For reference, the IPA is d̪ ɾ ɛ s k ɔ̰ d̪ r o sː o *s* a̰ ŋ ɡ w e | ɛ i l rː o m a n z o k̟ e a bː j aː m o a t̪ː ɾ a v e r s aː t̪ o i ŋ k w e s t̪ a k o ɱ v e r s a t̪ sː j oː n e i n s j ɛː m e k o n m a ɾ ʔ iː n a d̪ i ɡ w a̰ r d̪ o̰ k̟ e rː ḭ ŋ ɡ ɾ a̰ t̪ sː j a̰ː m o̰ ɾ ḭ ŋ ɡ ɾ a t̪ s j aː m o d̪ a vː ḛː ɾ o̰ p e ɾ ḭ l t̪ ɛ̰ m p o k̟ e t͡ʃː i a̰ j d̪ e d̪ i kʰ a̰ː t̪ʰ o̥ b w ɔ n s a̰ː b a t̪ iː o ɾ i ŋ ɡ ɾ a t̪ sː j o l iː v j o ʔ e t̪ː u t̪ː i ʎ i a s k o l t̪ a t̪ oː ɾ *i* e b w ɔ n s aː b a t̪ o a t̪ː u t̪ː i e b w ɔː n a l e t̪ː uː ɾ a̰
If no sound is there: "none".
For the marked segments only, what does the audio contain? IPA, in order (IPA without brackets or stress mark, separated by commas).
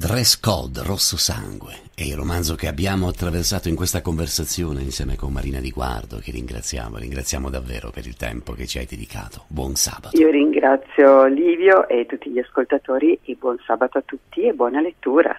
s, i